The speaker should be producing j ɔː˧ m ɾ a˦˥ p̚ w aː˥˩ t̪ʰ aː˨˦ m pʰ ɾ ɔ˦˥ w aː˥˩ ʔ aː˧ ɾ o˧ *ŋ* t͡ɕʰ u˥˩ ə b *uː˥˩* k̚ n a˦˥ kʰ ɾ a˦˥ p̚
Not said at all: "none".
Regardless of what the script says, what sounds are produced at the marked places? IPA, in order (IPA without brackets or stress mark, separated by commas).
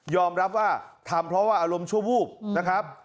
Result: m, uː˥˩